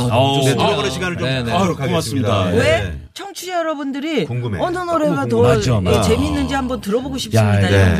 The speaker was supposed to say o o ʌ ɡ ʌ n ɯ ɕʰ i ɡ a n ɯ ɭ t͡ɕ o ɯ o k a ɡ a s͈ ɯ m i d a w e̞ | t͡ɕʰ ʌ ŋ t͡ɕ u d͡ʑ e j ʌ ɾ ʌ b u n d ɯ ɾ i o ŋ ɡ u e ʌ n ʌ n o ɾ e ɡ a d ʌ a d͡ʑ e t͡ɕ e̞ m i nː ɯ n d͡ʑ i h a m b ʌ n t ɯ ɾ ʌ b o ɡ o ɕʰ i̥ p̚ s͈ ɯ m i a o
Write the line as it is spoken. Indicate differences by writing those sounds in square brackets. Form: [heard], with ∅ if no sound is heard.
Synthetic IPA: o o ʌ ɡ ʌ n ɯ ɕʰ i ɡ a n ɯ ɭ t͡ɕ o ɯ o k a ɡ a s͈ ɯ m i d a w e̞ | t͡ɕʰ ʌ ŋ [t͡ɕʰ] u d͡ʑ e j ʌ ɾ ʌ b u n d ɯ ɾ i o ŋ ɡ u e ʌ n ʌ n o ɾ e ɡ a [t] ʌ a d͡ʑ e t͡ɕ e̞ m i nː ɯ n d͡ʑ i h a m b ʌ n t ɯ ɾ ʌ b o ɡ o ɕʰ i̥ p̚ s͈ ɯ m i a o